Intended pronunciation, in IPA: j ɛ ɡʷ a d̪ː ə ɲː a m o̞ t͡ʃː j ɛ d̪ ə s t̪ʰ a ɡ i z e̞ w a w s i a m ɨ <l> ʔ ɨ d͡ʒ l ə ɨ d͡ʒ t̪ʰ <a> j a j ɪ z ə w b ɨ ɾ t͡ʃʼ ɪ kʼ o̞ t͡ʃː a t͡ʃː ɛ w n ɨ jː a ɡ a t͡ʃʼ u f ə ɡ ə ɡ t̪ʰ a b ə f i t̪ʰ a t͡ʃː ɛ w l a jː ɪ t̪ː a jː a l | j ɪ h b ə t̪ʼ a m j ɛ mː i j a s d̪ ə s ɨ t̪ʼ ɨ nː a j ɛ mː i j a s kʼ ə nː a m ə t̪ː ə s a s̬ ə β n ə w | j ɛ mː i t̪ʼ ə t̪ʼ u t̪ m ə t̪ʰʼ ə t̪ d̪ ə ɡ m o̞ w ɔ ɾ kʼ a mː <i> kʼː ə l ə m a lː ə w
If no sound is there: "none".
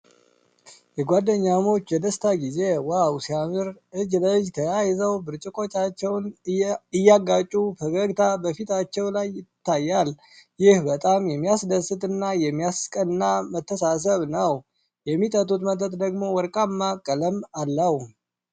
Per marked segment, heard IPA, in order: ɾ, ə, a

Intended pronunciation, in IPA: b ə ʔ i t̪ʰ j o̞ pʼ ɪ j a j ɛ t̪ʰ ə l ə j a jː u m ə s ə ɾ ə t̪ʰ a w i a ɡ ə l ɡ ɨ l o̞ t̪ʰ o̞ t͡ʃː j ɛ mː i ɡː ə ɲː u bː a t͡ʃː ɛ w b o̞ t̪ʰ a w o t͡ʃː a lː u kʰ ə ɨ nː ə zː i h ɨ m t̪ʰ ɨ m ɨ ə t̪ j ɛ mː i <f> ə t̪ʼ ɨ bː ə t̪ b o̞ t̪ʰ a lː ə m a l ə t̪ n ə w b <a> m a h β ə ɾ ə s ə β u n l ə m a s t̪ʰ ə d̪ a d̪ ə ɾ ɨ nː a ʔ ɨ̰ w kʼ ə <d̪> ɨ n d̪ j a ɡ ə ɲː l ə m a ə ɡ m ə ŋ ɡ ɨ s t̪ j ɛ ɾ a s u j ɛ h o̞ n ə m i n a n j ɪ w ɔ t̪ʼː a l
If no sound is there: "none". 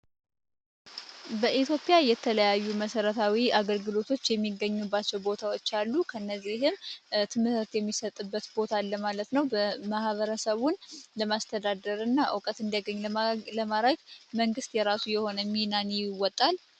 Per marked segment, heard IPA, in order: s, ə, t̪

